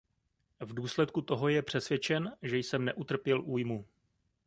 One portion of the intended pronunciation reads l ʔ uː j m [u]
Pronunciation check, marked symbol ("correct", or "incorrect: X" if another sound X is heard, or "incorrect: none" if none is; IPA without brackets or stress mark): correct